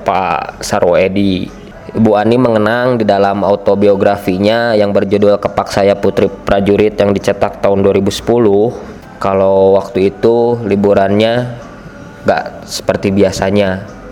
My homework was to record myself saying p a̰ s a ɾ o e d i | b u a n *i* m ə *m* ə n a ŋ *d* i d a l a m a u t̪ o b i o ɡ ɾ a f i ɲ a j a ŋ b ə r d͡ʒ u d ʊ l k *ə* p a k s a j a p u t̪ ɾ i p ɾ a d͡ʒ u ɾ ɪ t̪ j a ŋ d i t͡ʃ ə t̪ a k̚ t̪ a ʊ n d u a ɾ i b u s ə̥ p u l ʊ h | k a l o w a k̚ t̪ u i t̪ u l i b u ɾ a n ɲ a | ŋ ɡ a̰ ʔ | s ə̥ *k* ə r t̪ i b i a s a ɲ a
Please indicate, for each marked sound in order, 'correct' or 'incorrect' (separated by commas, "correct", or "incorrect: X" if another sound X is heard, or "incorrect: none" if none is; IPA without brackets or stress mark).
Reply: correct, incorrect: ŋ, correct, correct, incorrect: p